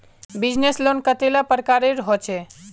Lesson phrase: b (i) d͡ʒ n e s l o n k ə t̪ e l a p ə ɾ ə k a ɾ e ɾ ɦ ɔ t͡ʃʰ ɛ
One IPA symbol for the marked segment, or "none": i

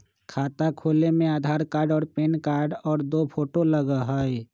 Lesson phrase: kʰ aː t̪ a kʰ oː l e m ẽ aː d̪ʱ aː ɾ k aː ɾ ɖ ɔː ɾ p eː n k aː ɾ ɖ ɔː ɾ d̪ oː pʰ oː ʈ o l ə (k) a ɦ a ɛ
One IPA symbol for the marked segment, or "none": ɡ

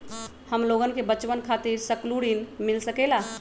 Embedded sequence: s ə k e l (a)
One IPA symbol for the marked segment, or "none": a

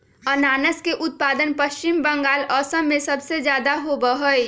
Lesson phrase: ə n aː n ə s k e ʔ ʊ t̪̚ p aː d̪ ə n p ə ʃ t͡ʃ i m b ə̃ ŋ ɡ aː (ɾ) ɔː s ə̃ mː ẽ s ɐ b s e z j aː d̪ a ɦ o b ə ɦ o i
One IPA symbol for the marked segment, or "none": l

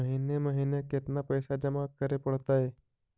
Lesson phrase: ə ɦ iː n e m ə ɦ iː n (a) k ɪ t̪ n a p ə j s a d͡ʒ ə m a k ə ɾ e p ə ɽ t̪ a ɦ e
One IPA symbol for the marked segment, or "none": e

